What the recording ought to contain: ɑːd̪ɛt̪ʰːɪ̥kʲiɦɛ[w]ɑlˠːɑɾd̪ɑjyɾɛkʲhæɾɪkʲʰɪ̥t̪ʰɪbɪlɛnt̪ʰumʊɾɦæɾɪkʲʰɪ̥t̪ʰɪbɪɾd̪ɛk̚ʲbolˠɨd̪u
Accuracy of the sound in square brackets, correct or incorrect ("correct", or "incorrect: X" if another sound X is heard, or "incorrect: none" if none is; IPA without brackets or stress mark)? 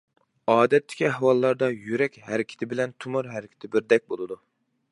correct